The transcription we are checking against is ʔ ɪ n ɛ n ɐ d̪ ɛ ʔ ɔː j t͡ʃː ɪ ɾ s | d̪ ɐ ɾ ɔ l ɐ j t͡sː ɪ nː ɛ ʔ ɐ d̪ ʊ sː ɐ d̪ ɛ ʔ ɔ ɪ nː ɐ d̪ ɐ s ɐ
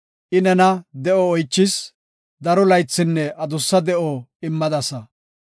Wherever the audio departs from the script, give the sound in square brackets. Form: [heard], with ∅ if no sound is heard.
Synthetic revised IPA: ʔ ɪ n ɛ n ɐ d̪ ɛ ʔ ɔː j t͡ʃː ɪ [∅] s | d̪ ɐ ɾ ɔ l ɐ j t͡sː ɪ nː ɛ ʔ ɐ d̪ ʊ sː ɐ d̪ ɛ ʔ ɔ ɪ [mː] ɐ d̪ ɐ s ɐ